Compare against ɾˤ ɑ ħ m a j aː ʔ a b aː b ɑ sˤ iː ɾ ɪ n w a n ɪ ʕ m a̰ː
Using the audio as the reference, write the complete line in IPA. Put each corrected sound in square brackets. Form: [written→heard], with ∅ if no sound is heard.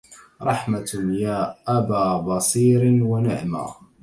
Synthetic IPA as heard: ɾˤ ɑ ħ m a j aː ʔ a b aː b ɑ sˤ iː ɾ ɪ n w a n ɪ ʕ m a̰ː